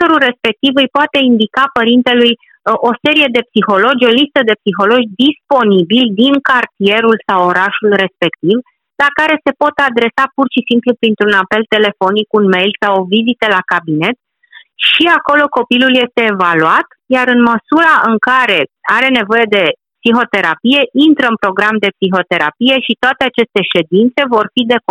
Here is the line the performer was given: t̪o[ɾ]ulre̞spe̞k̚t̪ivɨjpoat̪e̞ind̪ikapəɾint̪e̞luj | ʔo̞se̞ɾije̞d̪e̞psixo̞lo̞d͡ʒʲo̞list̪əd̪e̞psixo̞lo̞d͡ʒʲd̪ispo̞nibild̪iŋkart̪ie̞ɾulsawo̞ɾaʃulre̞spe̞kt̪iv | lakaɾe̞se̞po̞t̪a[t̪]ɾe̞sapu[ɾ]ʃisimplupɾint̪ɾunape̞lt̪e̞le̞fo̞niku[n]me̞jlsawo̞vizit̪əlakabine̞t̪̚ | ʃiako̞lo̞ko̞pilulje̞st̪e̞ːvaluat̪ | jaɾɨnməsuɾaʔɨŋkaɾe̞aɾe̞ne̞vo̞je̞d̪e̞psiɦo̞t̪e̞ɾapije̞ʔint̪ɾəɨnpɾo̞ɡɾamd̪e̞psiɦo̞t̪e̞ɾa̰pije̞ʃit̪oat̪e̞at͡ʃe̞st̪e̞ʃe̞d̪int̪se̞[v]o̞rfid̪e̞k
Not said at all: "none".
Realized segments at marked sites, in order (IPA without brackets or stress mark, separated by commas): ɾ, d̪, r, n, v